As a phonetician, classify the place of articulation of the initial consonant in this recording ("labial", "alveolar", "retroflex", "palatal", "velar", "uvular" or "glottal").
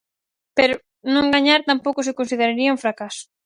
labial